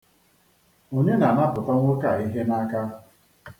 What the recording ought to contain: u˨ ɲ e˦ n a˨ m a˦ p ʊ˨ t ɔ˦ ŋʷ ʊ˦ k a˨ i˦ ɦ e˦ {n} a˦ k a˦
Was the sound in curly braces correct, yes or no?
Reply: yes